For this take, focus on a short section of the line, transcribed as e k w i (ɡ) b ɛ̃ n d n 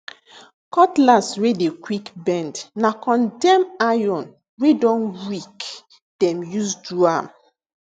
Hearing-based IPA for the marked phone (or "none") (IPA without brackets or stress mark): k